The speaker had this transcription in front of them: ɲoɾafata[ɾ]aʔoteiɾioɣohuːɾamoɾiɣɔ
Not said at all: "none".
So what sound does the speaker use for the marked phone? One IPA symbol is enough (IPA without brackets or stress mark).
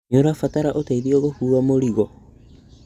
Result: ɾ